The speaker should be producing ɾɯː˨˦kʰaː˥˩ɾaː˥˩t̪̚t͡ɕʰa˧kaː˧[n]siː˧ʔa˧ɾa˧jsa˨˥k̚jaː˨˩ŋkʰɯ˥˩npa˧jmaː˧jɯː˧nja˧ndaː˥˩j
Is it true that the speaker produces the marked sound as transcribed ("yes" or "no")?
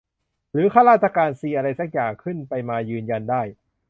yes